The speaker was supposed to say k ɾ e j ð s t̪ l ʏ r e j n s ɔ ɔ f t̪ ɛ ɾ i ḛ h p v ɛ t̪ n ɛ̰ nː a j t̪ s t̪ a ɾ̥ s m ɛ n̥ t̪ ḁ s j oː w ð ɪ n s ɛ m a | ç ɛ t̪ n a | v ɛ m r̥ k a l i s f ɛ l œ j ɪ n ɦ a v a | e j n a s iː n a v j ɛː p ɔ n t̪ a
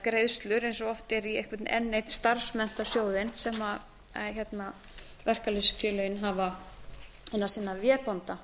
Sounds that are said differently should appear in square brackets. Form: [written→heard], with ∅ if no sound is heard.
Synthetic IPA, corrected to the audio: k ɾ e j ð s t̪ l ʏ [r→ɾ] e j n s ɔ ɔ f t̪ ɛ ɾ i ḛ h [p→k] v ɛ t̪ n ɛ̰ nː [a→e] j t̪ s t̪ a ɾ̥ s m ɛ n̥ t̪ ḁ s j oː w ð ɪ n s ɛ m a | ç ɛ t̪ n a | v ɛ [m→∅] r̥ k a l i s f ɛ l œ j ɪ n ɦ a v a | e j n a s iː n a v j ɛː p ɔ n t̪ a

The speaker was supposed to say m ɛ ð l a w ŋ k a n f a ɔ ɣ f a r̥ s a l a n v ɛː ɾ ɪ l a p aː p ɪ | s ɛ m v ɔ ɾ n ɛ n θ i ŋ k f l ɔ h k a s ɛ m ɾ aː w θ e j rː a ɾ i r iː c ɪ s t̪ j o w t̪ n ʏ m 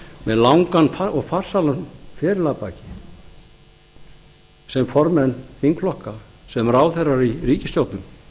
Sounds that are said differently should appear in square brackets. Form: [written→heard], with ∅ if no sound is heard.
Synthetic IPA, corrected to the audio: m ɛ ð l a w ŋ k a n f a ɔ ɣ f a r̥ s a l a n [v→f] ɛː ɾ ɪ l a p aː [p→c] ɪ | s ɛ m [v→f] ɔ ɾ [n→m] ɛ n θ i ŋ k f l ɔ h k a s ɛ m ɾ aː w θ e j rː a ɾ i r iː c ɪ s t̪ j o w t̪ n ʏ m

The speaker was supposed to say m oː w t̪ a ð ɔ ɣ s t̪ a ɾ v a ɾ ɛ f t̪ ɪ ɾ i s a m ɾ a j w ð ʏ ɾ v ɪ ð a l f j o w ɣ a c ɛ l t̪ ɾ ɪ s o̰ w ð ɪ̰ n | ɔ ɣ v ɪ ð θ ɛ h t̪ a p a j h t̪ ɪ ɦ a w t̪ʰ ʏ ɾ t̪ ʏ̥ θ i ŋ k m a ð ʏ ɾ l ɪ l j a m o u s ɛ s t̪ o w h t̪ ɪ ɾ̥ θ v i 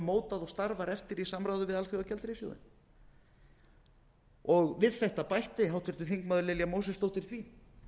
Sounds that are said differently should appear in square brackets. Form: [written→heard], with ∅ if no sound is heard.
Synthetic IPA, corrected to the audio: m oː w t̪ a ð ɔ ɣ s t̪ a ɾ v a ɾ ɛ f t̪ ɪ ɾ i s a m ɾ a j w ð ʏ [ɾ→∅] v ɪ ð a l f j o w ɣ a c ɛ l t̪ ɾ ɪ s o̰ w ð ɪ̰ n | ɔ ɣ v ɪ ð θ ɛ h t̪ a p a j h t̪ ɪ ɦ a w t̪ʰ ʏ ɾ t̪ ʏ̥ θ i ŋ k m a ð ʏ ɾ l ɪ l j a m o [u→w] s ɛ s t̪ o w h t̪ ɪ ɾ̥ θ v i

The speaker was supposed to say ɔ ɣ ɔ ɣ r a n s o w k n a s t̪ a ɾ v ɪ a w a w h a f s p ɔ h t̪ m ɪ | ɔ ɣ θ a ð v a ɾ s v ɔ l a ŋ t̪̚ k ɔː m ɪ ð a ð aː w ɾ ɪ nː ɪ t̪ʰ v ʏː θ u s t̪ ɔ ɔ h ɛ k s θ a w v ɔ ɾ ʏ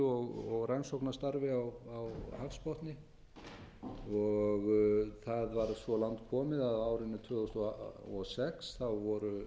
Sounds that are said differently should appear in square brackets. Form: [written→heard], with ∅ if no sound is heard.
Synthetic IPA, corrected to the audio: ɔ ɣ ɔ ɣ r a n s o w k n a s t̪ a ɾ v ɪ a w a w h a f s p ɔ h t̪ [m→n] ɪ | ɔ ɣ θ a ð v a ɾ s v ɔ l a ŋ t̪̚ [k→kʰ] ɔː m ɪ ð a ð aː w ɾ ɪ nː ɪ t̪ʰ v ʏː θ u s t̪ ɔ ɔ [h→s] ɛ k s θ a w v ɔ ɾ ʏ

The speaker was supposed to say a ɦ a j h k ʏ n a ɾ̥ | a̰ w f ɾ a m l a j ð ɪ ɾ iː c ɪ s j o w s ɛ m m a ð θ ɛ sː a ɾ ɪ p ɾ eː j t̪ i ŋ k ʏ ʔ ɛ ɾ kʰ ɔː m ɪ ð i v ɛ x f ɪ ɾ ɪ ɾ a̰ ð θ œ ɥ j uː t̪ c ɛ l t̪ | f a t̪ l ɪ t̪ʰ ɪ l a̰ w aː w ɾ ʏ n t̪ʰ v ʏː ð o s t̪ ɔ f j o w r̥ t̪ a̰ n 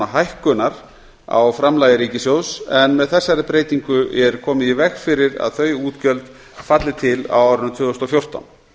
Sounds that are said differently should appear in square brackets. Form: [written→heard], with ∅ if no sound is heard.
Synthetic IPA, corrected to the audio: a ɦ a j h k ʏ n a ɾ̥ | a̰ w f ɾ a m l a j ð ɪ ɾ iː c ɪ s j o w s ɛ [m→n] m [a→ɛ] ð θ ɛ sː a ɾ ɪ p ɾ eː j t̪ i ŋ k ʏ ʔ ɛ ɾ kʰ ɔː m ɪ ð i v ɛ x f ɪ ɾ ɪ ɾ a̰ ð θ œ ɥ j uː t̪ c [ɛ→œ] l t̪ | f a t̪ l ɪ t̪ʰ ɪ l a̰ w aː w ɾ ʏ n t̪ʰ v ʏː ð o s t̪ ɔ f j o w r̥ t̪ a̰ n

